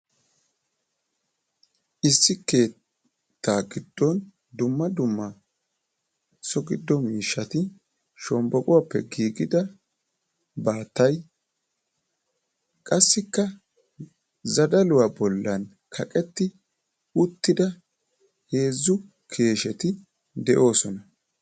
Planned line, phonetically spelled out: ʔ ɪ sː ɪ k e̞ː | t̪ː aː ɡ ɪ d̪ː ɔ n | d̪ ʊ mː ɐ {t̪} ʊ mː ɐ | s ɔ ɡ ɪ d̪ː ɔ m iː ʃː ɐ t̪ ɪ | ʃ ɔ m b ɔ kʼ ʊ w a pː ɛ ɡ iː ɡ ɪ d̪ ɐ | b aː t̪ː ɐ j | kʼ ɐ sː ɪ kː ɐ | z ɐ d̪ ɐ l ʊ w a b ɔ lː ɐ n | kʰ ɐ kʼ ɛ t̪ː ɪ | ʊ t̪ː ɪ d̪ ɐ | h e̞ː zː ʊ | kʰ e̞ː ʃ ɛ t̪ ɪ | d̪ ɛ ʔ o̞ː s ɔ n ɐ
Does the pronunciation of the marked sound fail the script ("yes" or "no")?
yes